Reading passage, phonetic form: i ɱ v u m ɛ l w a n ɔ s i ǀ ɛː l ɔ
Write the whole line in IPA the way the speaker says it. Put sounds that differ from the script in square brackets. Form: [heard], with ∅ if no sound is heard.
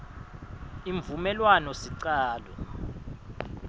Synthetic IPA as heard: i ɱ v u m ɛ l w a n ɔ s i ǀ [aː] l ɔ